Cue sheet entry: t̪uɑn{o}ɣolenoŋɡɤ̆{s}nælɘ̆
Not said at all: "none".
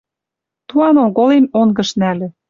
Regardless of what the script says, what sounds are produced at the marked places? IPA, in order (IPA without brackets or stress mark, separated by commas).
o, ʃ